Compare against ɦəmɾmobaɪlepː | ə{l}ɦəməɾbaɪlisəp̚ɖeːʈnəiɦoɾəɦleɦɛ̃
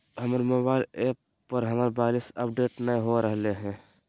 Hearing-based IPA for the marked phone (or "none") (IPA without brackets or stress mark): ɾ